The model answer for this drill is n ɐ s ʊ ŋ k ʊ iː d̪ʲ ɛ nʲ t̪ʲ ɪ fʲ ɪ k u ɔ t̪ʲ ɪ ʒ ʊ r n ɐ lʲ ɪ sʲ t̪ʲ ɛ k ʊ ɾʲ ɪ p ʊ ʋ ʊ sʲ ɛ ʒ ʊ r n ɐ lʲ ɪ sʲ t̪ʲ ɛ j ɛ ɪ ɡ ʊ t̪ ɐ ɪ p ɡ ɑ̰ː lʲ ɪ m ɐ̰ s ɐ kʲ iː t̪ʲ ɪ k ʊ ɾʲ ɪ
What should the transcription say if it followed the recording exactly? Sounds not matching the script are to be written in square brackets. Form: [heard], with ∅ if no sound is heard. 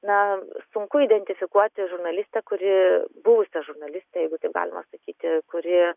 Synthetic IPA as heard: n ɐ s ʊ ŋ k ʊ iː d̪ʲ ɛ nʲ t̪ʲ ɪ fʲ ɪ k u ɔ t̪ʲ ɪ ʒ ʊ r n ɐ lʲ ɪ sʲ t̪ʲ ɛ k ʊ ɾʲ ɪ [b] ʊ ʋ ʊ sʲ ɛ ʒ ʊ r n ɐ lʲ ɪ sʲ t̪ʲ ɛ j ɛ ɪ ɡ ʊ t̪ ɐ ɪ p ɡ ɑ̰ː lʲ ɪ m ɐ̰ s ɐ kʲ iː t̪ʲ ɪ k ʊ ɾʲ ɪ